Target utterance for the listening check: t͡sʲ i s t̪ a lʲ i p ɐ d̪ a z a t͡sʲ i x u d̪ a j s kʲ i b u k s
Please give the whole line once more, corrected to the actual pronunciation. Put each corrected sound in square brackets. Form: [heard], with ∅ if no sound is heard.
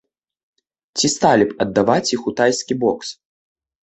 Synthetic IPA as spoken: t͡sʲ i s t̪ a lʲ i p ɐ [d̪ː] a [v] a t͡sʲ i x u [t̪] a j s kʲ i b [ɔ] k s